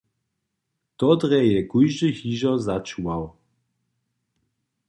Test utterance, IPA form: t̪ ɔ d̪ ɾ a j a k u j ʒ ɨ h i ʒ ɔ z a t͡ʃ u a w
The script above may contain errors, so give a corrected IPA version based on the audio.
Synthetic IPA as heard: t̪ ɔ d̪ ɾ ɛ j ɛ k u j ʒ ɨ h i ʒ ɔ z a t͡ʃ u a w